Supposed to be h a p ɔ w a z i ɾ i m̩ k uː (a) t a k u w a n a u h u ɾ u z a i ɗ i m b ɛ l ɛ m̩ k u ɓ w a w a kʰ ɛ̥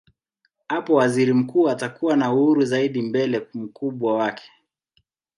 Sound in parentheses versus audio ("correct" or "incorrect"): correct